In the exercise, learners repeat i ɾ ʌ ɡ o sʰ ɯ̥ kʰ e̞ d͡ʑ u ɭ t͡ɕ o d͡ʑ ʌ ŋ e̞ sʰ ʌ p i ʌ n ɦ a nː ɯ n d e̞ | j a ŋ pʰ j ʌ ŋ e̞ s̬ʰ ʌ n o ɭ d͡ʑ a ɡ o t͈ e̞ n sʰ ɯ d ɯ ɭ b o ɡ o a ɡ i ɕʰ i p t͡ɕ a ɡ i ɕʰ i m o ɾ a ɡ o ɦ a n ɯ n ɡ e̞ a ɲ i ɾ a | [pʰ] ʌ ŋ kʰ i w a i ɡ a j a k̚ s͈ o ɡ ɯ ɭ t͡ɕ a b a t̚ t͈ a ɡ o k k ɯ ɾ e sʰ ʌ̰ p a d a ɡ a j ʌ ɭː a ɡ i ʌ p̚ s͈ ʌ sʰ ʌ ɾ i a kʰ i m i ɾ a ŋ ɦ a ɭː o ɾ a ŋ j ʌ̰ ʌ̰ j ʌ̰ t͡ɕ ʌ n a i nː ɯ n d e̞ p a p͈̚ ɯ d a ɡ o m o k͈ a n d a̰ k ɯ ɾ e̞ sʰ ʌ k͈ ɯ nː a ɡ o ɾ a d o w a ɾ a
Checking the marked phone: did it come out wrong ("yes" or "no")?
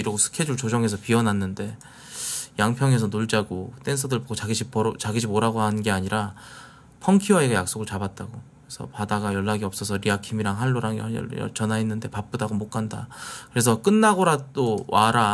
no